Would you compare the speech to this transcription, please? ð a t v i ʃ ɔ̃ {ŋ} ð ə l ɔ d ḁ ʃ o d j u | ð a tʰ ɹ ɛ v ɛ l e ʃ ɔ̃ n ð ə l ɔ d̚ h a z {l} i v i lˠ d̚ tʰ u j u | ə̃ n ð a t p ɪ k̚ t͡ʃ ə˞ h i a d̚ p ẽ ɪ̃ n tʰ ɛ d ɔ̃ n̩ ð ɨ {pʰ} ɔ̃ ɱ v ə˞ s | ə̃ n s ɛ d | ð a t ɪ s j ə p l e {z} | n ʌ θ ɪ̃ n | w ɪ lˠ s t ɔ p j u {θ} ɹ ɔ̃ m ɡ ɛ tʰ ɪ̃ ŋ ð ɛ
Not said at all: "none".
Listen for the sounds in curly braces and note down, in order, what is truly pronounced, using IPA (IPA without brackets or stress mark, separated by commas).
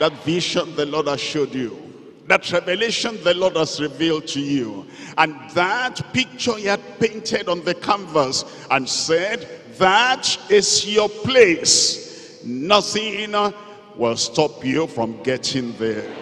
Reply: n, ɹ, kʰ, s, f